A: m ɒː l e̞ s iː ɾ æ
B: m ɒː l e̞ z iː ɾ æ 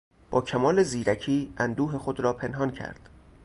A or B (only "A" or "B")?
B